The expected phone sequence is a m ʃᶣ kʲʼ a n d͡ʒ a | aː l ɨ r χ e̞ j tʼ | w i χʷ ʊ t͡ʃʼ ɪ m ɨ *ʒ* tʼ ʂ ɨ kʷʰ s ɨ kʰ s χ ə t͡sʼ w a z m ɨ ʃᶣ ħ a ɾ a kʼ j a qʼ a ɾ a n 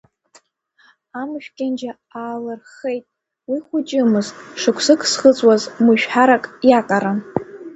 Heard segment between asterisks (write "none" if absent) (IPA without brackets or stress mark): z